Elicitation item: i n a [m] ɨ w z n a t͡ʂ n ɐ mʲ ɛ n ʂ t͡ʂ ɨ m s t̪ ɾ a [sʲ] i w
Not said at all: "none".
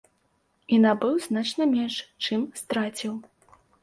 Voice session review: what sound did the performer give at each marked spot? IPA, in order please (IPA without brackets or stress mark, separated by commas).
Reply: b, t͡sʲ